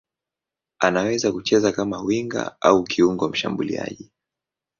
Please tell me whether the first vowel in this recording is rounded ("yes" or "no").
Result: no